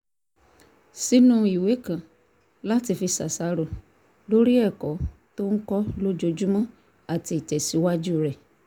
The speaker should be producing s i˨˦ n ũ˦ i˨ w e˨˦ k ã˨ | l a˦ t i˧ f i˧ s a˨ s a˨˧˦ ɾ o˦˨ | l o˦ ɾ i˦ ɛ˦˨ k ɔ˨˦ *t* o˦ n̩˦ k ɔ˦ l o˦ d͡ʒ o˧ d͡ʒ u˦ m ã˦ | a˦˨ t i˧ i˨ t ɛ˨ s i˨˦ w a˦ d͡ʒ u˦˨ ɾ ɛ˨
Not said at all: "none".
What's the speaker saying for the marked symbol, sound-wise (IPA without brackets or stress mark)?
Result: t